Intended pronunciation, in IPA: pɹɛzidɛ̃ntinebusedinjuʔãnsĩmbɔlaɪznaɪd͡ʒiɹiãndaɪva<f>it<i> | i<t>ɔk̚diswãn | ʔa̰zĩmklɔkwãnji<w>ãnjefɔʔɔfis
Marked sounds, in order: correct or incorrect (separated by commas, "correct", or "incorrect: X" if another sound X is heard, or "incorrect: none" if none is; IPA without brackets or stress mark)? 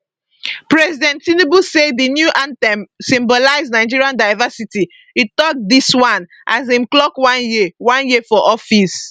incorrect: s, correct, correct, correct